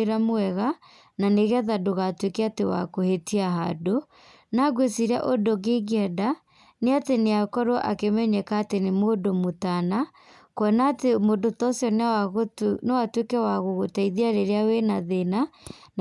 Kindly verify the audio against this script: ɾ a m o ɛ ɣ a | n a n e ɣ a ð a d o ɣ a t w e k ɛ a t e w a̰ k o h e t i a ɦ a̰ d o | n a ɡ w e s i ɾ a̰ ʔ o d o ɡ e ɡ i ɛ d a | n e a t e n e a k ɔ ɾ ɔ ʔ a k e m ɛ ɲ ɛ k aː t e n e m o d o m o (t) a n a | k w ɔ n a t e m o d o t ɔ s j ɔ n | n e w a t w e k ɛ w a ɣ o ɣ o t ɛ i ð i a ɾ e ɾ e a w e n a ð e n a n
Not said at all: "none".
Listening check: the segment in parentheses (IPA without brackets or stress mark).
t